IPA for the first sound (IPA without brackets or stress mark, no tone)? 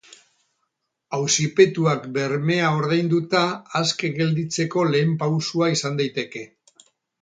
a